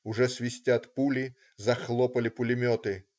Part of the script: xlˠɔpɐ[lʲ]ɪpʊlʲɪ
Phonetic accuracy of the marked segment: correct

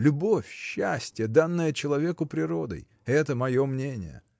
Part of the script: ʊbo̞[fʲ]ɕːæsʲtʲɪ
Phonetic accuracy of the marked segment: correct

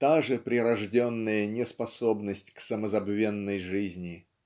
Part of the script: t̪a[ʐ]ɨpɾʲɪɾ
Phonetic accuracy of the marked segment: correct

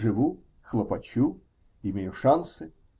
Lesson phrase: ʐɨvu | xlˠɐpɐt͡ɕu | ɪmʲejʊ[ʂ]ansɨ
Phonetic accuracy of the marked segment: correct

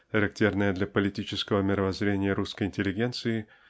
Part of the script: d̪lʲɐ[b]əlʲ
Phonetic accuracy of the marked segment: incorrect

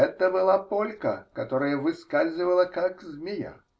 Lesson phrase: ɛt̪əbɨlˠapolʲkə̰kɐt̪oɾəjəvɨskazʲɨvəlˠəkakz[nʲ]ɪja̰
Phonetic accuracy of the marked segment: incorrect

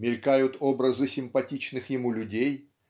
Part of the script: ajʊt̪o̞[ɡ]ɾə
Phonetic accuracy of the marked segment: incorrect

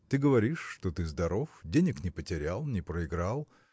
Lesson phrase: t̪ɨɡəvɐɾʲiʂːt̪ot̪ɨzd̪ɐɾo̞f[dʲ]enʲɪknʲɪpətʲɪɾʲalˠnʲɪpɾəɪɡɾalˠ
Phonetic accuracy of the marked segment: correct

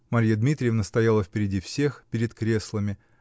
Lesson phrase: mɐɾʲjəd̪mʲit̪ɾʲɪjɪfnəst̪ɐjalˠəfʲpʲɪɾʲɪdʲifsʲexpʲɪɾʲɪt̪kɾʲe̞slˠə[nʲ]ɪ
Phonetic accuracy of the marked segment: incorrect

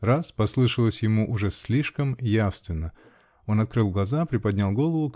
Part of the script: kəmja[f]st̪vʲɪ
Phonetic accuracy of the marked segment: correct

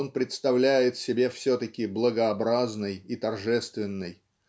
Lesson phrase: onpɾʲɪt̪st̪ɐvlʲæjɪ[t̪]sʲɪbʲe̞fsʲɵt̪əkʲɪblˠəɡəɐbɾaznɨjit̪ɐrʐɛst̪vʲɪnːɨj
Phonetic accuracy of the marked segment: correct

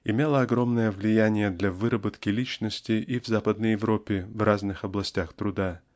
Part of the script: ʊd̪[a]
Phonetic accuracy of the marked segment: correct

